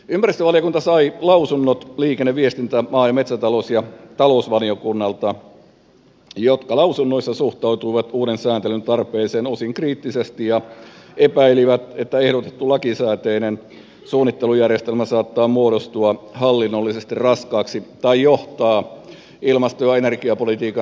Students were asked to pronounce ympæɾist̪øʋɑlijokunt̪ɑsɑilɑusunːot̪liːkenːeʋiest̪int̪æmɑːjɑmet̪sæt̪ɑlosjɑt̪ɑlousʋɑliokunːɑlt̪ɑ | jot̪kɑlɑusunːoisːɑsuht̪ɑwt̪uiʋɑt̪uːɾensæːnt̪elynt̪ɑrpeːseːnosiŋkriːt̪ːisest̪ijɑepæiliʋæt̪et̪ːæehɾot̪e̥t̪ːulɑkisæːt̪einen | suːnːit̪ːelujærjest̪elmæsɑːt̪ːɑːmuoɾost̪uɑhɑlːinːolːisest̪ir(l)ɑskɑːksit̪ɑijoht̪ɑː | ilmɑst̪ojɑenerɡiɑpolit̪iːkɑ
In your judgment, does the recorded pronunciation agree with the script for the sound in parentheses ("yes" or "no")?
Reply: no